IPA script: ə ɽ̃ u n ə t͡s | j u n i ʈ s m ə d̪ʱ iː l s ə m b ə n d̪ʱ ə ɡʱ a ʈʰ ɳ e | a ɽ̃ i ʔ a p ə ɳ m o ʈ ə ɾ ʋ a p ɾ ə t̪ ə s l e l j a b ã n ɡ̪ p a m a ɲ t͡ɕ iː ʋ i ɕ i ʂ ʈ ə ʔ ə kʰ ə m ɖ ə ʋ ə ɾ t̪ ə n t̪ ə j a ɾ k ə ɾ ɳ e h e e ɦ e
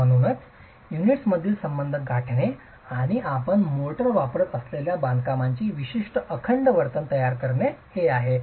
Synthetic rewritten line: ə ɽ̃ u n ə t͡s | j u n i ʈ s m ə d̪ʱ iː l s ə m b ə n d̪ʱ ə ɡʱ a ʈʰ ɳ e | a ɽ̃ i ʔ a p ə ɳ m o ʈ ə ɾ ʋ a p ɾ ə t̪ ə s l e l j a b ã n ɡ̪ k a m a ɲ t͡ɕ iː ʋ i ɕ i ʂ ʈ ə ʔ ə kʰ ə ɳ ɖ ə ʋ ə ɾ t̪ ə n t̪ ə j a ɾ k ə ɾ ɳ e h e a ɦ e